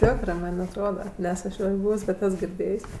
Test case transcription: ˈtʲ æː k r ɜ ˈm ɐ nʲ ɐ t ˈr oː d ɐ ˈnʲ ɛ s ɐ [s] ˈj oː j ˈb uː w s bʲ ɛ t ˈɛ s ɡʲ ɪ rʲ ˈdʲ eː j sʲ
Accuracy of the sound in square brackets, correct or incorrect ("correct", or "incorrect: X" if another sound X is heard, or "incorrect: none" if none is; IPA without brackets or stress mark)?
incorrect: ʃ